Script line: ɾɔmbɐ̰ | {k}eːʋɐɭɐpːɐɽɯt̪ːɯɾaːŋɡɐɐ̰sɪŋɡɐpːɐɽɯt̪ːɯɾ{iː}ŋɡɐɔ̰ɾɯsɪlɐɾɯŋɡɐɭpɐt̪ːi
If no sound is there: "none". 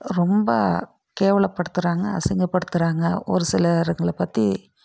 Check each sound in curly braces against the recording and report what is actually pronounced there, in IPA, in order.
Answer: k, aː

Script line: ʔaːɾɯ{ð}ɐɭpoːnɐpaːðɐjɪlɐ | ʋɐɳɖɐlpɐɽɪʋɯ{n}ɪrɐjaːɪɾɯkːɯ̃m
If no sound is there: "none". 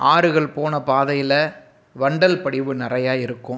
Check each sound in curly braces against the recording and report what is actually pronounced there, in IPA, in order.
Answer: ɣ, n

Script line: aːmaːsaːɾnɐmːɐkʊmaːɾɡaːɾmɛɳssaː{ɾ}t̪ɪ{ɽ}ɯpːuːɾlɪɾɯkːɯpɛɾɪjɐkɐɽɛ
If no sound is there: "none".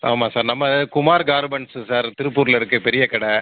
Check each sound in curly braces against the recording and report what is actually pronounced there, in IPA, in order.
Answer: ɾ, ɾ

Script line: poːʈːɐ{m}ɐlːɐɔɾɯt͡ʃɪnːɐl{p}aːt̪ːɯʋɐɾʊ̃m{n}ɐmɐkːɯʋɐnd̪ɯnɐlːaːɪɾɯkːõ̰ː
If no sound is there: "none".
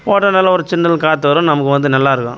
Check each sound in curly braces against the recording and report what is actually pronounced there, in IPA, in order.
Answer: n, k, n

